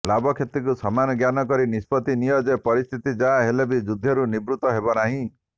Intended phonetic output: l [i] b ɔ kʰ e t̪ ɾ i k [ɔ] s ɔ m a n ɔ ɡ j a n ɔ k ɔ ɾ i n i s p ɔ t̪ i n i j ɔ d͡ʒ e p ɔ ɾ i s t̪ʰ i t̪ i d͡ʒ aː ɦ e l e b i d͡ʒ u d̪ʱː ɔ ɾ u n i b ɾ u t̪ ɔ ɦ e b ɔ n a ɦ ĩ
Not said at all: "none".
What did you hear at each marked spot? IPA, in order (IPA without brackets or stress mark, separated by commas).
a, u